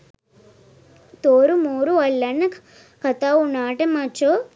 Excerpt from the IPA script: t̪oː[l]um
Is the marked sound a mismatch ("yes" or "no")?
yes